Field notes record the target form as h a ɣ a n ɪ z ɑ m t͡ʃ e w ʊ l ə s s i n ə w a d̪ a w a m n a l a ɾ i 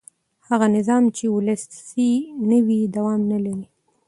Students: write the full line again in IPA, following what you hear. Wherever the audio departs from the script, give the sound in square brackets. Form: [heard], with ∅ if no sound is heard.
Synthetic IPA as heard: h a ɣ a n ɪ z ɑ m t͡ʃ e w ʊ l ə s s i n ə w [i] d̪ a w [ɑ] m n a l a ɾ i